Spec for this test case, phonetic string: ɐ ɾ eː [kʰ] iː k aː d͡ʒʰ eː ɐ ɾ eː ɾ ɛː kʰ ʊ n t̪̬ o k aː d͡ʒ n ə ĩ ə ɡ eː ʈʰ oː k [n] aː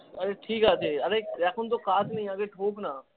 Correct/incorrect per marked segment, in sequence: incorrect, correct

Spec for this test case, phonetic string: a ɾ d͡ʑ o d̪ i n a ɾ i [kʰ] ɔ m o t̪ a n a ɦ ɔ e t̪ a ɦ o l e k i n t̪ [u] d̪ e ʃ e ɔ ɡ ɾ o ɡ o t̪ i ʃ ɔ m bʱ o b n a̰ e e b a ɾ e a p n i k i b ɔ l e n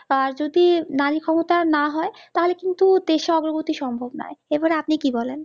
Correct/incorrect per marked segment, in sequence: correct, correct

